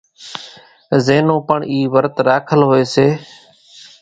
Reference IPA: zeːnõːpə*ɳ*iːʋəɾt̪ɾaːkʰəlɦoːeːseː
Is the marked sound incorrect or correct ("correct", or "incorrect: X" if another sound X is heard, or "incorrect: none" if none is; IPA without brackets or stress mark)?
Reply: correct